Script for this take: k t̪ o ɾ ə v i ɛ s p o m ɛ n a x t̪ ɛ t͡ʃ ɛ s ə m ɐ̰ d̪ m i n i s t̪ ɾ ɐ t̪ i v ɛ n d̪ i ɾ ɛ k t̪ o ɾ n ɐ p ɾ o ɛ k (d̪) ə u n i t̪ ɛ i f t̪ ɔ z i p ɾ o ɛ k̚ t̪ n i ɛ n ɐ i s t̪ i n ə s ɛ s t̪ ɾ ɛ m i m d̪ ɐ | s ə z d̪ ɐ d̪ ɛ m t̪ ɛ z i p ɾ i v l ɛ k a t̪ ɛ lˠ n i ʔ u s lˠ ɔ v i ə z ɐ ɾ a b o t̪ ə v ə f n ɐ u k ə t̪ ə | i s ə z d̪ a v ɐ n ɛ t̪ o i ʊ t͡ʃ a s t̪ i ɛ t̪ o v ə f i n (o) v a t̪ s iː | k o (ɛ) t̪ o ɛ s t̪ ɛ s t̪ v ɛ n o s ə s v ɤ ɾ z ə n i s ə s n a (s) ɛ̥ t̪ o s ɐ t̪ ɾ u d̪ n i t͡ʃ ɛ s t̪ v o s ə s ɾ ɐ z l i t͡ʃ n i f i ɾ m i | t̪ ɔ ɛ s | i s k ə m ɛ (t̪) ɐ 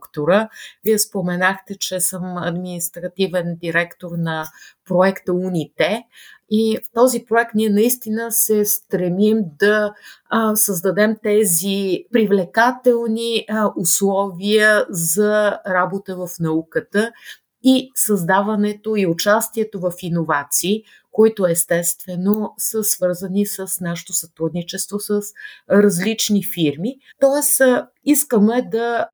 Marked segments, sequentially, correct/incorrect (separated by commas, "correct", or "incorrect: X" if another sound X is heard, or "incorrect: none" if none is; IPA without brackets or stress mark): incorrect: t̪, correct, incorrect: i, incorrect: ʃ, incorrect: d̪